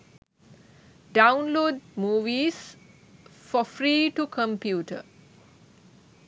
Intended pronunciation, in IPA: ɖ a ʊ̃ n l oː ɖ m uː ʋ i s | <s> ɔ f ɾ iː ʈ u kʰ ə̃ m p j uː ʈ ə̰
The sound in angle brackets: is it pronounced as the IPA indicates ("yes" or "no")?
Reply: no